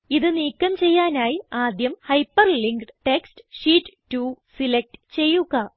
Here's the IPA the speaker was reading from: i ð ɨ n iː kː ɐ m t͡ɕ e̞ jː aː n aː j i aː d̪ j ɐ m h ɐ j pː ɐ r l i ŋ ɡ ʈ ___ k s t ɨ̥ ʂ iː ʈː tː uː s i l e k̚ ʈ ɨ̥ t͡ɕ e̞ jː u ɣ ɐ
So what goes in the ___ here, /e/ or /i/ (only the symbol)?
e